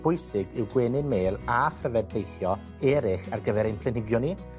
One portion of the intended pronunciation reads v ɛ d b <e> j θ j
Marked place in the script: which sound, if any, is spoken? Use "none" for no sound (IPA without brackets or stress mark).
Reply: e